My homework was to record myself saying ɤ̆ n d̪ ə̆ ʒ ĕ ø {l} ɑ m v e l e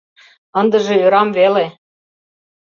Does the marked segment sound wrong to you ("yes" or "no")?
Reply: yes